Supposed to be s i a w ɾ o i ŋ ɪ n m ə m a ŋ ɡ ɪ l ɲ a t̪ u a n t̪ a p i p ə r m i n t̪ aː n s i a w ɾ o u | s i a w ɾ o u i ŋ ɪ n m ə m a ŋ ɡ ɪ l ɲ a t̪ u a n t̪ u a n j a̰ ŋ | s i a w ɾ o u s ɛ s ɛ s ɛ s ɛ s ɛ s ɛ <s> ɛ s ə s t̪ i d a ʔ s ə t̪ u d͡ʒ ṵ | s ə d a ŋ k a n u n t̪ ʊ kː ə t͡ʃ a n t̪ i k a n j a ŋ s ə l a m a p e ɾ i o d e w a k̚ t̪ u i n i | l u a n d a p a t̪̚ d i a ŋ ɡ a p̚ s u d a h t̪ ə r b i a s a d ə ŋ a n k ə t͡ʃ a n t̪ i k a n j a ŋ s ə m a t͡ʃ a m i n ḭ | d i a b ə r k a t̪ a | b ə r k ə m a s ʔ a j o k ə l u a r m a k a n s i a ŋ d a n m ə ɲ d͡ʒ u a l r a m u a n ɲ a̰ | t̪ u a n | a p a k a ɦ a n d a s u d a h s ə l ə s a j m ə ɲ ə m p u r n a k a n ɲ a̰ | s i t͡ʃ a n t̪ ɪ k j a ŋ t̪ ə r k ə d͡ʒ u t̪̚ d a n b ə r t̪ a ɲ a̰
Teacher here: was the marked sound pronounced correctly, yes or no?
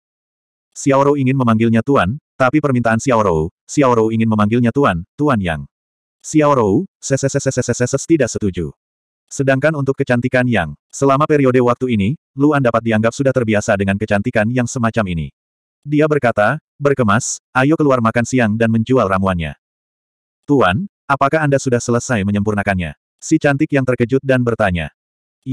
yes